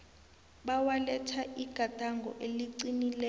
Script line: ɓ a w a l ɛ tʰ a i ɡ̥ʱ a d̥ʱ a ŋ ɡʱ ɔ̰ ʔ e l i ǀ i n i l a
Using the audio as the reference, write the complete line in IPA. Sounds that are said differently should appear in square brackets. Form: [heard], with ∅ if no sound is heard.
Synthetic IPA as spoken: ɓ a w a l ɛ tʰ a i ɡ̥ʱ a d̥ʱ a ŋ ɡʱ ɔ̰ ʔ e l i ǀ i n i l [ɛ]